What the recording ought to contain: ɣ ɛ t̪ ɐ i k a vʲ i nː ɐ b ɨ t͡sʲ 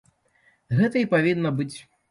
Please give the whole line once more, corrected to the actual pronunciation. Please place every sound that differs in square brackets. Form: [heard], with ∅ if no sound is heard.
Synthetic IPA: ɣ ɛ t̪ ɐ i [p] a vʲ i nː ɐ b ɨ t͡sʲ